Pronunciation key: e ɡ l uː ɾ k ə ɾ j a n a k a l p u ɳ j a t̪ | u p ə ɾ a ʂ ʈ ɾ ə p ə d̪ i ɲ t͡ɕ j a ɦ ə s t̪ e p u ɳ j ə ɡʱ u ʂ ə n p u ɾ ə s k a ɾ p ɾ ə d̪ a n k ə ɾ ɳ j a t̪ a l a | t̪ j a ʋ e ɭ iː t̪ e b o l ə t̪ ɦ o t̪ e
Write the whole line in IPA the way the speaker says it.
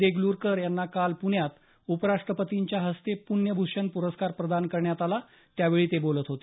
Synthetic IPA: e ɡ l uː ɾ k ə ɾ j a nː a k a l p u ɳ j a t̪ | u p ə ɾ a ʂ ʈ ɾ ə p ə t̪ i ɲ t͡ɕ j a ɦ ə s t̪ e p u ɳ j ə bʱ u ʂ ə n p u ɾ ə s k a ɾ p ɾ ə d̪ a n k ə ɾ ɳ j a t̪ a l a | t̪ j a ʋ e ɭ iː t̪ e b o l ə t̪ ɦ o t̪ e